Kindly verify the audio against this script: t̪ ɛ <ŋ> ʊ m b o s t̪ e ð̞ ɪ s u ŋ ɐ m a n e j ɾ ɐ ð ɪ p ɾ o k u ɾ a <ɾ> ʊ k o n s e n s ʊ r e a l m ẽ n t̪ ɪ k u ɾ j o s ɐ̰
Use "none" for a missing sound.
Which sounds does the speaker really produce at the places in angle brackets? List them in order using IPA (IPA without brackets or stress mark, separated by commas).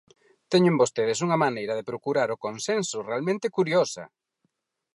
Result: ɲ, ɾ